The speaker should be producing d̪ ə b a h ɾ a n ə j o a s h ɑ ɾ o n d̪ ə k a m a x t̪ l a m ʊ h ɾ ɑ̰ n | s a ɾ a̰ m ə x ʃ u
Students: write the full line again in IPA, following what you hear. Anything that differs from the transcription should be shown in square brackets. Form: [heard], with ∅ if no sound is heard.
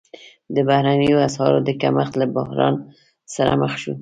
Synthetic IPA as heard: d̪ ə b a h ɾ a n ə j o a s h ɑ ɾ o [∅] d̪ ə k a m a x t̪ l a [b] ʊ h ɾ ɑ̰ n | s a ɾ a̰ m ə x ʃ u